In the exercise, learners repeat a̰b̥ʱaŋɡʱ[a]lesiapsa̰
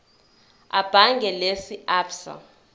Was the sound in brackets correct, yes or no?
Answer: no